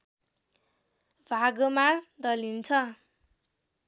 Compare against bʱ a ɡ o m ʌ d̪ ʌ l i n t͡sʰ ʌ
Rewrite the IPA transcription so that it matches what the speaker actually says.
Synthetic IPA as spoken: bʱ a ɡ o m a d̪ ʌ l i n t͡sʰ ʌ